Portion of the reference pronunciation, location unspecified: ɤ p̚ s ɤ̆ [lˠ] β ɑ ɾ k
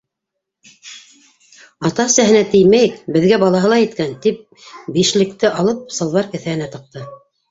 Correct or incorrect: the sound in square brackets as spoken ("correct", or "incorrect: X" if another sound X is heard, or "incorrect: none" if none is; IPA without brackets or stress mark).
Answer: correct